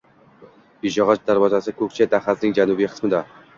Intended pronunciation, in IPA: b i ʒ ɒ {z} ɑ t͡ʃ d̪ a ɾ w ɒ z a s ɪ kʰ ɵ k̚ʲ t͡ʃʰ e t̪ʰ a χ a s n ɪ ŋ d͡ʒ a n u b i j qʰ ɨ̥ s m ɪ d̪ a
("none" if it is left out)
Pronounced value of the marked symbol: ʁ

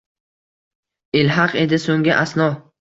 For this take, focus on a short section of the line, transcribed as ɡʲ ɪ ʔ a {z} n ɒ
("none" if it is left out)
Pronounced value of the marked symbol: s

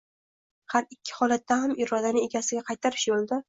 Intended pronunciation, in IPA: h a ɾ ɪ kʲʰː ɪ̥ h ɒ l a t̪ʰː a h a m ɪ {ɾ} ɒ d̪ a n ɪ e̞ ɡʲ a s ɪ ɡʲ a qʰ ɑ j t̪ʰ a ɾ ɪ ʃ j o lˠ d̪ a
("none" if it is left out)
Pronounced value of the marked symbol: ɾ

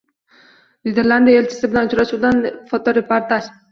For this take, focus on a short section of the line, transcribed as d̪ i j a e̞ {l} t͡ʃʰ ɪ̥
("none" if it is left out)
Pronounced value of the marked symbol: l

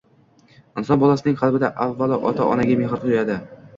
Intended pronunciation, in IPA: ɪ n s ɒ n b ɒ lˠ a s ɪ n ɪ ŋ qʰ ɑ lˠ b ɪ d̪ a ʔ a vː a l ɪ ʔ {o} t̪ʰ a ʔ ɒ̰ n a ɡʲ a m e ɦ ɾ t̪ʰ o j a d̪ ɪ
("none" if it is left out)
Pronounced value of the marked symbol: ɒ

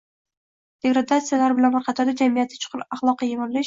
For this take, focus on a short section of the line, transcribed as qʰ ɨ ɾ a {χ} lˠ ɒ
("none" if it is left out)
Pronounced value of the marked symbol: χ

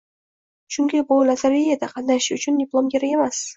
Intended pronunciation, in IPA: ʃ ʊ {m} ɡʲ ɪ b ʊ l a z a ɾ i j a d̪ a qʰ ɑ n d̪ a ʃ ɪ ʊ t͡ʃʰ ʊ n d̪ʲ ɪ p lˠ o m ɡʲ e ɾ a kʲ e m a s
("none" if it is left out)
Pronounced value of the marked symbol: ŋ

